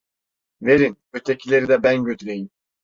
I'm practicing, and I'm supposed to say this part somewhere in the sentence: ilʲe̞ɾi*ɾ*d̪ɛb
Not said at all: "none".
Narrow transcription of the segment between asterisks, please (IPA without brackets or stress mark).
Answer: none